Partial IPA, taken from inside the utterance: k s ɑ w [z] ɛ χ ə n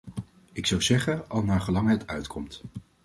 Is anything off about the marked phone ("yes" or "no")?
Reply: no